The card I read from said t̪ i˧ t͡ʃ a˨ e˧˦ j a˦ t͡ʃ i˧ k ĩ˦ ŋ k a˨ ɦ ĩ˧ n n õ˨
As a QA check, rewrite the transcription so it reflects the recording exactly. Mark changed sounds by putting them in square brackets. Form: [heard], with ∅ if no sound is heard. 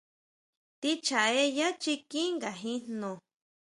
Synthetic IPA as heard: t̪ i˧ t͡ʃ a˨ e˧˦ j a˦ t͡ʃ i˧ k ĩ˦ ŋ [ɡ] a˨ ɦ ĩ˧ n n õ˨